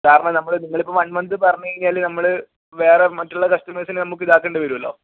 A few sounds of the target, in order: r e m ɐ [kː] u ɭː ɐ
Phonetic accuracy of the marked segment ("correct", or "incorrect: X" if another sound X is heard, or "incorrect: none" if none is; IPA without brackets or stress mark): incorrect: tː